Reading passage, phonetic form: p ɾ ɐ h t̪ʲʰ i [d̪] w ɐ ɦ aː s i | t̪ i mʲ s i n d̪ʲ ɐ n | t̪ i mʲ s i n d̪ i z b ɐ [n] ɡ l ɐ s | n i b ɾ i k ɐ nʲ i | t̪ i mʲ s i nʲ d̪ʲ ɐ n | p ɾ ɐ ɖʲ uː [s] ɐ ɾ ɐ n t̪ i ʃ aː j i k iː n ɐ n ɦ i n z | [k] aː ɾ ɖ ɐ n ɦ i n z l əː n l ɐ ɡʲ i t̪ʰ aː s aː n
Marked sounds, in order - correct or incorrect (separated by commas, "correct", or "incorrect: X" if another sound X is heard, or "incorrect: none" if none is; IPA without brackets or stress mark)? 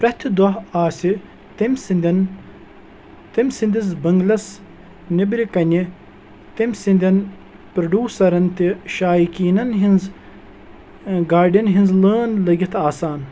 correct, incorrect: ŋ, correct, incorrect: ɡ